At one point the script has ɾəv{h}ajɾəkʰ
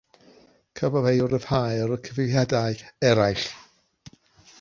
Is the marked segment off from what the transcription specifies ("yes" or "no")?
no